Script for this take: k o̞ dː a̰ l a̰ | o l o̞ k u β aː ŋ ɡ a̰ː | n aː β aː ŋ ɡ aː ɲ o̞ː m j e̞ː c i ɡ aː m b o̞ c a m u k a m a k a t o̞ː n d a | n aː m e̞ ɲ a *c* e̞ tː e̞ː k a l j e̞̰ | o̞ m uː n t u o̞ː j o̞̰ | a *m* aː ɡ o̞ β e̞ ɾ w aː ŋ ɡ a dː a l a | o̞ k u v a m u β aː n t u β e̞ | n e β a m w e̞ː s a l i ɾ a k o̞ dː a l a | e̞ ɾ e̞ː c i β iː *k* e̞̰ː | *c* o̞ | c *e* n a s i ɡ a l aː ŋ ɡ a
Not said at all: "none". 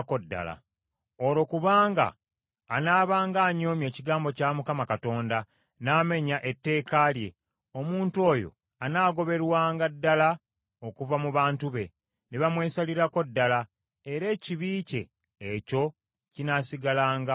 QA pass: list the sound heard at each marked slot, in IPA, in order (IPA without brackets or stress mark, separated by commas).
ʔ, n, c, c, i